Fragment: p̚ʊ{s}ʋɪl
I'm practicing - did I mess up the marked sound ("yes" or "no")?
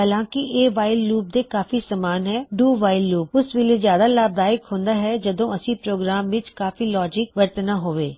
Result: no